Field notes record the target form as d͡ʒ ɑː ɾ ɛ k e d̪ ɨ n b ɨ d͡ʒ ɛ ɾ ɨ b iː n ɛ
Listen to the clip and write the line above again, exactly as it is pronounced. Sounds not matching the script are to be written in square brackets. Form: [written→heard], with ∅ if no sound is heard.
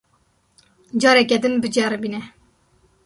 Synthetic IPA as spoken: d͡ʒ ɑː ɾ ɛ k [e→ɛ] d̪ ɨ n b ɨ d͡ʒ ɛ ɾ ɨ b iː n ɛ